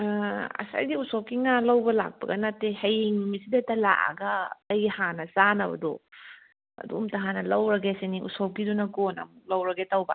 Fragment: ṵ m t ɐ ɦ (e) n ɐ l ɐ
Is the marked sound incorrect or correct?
incorrect